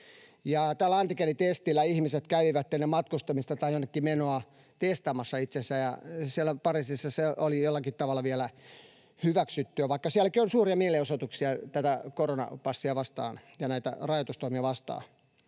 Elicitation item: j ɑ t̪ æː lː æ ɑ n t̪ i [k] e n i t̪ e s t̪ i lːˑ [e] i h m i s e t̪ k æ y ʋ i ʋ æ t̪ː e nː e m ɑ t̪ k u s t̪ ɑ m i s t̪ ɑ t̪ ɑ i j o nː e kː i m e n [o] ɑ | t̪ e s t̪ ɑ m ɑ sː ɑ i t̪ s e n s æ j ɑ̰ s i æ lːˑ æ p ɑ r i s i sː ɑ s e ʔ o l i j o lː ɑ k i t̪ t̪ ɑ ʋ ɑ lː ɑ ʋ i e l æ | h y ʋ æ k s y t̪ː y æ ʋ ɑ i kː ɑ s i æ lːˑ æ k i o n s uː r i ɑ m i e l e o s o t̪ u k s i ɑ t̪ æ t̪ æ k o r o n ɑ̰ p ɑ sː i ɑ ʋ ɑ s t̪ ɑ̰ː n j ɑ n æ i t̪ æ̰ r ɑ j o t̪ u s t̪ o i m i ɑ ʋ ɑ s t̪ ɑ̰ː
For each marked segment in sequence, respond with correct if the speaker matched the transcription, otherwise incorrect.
correct, incorrect: æ, correct

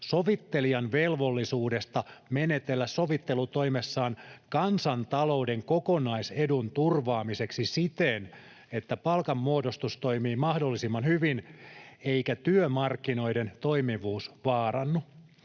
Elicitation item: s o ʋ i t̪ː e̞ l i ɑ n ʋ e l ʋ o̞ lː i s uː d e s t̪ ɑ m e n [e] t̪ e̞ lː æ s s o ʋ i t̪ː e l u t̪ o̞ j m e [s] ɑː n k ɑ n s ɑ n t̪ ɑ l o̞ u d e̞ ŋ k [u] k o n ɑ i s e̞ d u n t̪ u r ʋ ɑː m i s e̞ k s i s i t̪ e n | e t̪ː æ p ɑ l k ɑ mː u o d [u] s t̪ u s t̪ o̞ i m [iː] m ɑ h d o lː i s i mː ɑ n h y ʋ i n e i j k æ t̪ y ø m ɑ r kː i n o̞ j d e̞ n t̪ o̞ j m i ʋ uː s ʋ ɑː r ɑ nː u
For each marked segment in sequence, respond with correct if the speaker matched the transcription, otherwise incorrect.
correct, incorrect: sː, incorrect: o, incorrect: o, correct

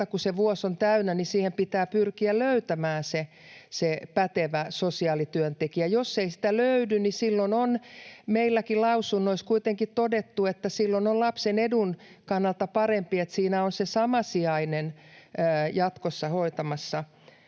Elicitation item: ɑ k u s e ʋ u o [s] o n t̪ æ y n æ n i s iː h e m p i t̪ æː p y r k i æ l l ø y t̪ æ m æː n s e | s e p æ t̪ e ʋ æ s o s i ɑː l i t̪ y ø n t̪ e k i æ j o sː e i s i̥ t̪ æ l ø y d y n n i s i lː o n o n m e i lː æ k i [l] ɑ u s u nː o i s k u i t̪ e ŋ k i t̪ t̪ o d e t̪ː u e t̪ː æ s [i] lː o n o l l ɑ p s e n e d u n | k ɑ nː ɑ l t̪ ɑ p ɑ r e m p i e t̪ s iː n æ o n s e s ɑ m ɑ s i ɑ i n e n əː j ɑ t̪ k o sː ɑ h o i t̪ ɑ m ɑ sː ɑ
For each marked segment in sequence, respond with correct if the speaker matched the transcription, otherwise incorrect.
correct, correct, correct

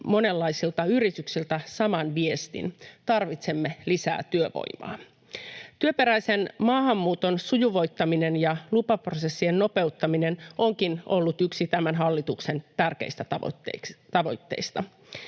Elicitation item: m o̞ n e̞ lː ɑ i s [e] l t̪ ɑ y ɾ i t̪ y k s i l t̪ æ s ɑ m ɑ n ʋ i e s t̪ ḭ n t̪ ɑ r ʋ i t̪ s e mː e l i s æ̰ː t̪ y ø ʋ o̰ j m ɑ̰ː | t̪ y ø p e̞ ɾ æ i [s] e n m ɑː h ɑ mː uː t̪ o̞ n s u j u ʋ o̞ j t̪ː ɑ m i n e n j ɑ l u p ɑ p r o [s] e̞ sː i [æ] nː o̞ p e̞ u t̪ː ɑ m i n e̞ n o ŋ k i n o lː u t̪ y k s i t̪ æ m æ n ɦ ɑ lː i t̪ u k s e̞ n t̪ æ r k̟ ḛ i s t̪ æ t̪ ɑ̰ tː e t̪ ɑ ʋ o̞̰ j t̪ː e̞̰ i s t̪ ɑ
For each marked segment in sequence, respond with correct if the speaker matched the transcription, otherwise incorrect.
incorrect: i, correct, correct, incorrect: e

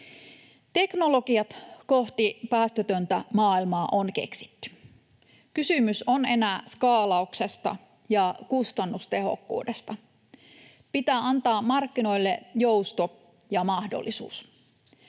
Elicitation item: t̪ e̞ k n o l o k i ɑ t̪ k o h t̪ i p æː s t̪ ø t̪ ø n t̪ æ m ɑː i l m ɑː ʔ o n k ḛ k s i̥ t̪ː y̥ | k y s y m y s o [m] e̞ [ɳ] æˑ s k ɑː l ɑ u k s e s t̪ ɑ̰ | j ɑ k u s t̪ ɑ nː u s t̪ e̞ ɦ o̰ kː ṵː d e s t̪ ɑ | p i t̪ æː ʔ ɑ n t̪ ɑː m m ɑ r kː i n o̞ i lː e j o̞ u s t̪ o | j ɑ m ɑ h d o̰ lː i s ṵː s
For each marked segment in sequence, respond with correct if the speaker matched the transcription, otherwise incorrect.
incorrect: n, incorrect: n

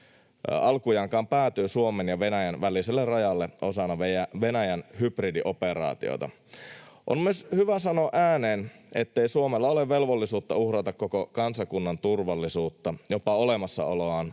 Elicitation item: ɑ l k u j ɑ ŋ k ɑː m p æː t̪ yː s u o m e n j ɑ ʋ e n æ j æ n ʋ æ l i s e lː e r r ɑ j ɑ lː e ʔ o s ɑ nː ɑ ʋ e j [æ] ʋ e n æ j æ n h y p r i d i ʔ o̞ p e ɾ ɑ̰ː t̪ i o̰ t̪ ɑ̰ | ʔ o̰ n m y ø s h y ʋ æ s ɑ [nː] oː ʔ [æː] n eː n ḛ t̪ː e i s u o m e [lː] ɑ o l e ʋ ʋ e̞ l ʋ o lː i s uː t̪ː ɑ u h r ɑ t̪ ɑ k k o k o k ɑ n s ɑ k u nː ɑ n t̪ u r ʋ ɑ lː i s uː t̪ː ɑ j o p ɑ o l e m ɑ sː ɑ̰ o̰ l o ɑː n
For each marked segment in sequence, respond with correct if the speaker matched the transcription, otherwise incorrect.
correct, incorrect: n, correct, correct

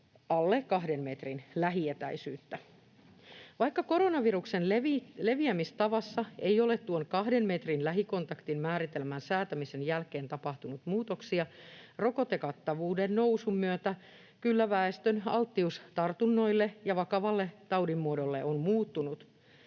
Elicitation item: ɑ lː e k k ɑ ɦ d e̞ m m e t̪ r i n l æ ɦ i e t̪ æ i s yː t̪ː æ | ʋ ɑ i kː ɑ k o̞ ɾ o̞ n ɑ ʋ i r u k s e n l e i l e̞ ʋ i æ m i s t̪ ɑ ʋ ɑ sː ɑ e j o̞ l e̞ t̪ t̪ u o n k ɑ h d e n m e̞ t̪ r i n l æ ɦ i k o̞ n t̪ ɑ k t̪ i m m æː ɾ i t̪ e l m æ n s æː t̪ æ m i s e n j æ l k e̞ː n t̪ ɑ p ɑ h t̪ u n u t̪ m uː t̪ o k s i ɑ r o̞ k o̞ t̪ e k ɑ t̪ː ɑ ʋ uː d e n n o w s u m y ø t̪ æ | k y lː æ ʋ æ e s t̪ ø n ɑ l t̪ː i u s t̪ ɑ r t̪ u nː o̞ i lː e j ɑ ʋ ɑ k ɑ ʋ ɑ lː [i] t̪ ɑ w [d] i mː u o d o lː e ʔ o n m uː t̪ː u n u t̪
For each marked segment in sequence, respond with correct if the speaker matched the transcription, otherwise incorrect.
incorrect: e, correct

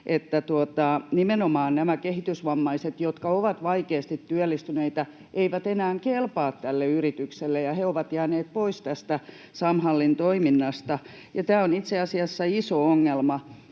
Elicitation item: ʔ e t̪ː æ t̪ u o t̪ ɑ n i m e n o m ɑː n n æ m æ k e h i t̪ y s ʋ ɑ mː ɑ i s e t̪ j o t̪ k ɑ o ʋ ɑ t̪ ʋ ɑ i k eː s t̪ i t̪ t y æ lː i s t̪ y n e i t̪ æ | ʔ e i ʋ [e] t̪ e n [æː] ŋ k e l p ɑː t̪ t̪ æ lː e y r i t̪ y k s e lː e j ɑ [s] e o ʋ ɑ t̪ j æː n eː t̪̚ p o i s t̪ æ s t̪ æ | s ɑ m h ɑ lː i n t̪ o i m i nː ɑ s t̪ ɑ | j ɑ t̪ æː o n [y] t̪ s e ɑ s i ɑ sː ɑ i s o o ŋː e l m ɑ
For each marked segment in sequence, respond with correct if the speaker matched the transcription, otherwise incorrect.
incorrect: æ, correct, incorrect: h, incorrect: i

